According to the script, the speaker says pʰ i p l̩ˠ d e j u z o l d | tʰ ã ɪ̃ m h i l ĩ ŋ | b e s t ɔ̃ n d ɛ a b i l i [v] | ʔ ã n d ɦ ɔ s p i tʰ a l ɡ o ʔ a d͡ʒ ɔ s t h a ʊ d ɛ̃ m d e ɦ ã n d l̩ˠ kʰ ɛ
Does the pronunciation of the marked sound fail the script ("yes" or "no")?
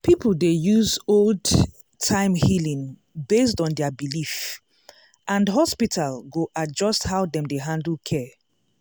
yes